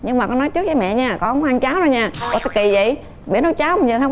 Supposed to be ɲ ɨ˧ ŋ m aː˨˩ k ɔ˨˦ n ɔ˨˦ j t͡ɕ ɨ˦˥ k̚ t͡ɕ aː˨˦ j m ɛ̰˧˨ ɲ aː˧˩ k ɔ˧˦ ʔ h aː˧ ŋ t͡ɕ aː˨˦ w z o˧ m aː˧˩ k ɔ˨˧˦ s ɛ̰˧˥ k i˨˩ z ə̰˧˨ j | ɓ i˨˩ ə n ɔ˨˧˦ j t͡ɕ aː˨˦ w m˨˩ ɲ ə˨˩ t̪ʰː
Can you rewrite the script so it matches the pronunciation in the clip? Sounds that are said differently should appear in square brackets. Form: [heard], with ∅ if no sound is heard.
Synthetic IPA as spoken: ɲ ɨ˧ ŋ m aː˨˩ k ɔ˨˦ n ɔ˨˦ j t͡ɕ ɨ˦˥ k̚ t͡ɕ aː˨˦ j m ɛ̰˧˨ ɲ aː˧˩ k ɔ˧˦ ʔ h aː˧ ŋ t͡ɕ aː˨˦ w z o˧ [ɲ] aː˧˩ k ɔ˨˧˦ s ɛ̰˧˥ k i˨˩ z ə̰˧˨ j | ɓ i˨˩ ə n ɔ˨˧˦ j t͡ɕ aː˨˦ w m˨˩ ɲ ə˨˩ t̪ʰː